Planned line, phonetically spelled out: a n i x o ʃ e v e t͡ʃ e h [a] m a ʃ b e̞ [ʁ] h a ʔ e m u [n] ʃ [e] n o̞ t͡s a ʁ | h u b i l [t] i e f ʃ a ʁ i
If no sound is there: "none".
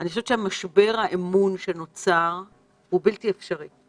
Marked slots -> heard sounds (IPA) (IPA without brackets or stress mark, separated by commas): a, ʁ, n, e, t